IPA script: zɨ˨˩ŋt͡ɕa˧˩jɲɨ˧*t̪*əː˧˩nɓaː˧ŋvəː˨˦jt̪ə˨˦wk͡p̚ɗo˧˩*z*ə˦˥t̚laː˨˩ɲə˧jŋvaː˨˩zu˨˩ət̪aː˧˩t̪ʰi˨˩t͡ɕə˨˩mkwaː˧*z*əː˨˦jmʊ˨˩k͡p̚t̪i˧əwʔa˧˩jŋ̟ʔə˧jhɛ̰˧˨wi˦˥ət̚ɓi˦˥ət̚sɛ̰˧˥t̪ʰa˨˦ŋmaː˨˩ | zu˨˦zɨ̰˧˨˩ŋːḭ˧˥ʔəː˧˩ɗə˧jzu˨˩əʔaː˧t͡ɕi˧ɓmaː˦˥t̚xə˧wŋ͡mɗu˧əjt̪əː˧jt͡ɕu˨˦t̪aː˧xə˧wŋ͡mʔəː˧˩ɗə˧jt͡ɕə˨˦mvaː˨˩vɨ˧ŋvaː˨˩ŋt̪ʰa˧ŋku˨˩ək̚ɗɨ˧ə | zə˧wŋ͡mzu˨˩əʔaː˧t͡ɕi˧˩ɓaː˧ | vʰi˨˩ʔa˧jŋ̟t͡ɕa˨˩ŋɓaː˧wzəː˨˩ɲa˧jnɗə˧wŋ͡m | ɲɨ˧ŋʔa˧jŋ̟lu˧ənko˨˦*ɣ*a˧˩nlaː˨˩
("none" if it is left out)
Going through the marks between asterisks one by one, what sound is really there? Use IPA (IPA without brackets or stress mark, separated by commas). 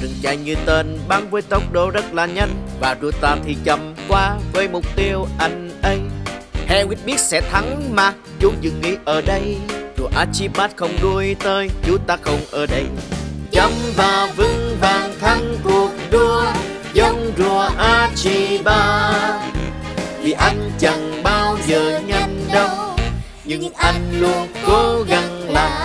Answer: t̪, z, v, ɣ